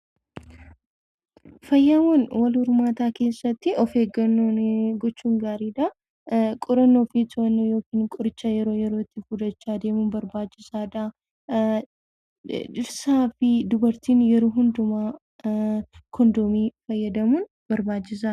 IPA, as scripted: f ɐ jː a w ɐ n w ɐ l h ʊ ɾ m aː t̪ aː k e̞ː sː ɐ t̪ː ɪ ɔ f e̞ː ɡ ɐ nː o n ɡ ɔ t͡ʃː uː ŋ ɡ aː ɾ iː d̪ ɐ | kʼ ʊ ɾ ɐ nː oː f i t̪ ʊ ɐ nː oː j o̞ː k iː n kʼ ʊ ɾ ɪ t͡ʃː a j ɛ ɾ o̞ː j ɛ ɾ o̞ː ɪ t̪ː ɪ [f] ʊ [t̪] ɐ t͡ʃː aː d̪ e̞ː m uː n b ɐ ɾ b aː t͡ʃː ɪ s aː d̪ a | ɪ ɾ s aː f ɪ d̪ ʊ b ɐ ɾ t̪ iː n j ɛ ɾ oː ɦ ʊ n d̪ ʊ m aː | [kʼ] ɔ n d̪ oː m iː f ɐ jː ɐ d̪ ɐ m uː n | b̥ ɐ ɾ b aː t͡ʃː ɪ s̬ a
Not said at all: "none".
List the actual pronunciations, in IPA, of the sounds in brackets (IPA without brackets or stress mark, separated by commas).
f, d̪, k